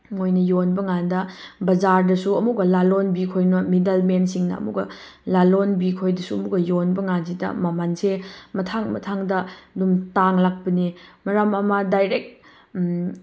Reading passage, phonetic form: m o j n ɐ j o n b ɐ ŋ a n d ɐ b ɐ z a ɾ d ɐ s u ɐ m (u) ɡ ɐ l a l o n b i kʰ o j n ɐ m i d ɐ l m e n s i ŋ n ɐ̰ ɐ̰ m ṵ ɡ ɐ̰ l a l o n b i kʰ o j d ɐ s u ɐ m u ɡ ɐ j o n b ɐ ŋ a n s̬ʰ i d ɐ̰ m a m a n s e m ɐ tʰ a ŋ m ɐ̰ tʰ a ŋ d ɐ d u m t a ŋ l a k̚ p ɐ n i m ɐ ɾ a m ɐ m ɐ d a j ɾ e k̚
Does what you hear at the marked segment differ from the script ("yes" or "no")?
no